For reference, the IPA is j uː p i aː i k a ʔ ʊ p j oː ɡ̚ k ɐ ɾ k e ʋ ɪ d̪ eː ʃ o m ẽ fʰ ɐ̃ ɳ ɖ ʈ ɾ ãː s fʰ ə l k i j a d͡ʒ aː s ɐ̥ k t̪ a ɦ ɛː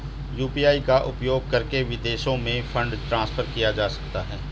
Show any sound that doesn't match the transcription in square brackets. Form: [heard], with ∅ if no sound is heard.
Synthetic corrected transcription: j uː p i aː i k a ʔ ʊ p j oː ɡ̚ k ɐ ɾ k e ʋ ɪ d̪ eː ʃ [õ] m ẽ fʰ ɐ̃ ɳ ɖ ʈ ɾ ãː s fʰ ə [ɾ] k i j a d͡ʒ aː s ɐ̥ k t̪ a ɦ ɛː